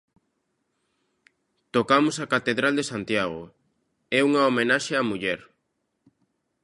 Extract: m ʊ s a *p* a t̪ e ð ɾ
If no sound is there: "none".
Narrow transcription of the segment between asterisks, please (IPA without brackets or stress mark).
k